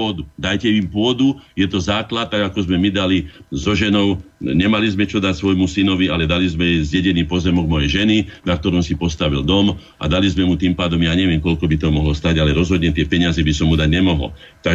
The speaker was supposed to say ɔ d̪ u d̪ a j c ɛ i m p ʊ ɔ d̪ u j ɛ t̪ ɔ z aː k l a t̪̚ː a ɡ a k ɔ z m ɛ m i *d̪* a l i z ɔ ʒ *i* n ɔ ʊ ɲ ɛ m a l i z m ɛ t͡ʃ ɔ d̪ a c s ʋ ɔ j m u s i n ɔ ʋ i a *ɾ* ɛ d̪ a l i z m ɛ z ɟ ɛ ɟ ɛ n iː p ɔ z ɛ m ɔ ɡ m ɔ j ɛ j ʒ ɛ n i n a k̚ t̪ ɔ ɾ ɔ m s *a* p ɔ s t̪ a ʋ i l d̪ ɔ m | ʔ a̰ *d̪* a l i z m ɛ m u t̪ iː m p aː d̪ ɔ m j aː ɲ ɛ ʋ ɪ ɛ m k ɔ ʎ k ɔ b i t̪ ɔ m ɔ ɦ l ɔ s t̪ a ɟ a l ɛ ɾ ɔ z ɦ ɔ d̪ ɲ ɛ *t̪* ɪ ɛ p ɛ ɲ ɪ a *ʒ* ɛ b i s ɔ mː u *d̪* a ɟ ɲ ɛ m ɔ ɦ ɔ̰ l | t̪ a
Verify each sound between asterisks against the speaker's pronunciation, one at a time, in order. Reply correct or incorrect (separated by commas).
correct, incorrect, incorrect, incorrect, correct, correct, incorrect, correct